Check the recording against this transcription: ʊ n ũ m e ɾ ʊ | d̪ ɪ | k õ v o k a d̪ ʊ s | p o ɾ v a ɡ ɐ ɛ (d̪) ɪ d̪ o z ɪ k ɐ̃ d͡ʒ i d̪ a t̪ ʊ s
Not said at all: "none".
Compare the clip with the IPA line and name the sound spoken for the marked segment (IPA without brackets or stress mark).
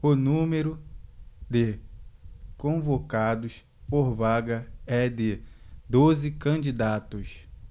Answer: d̪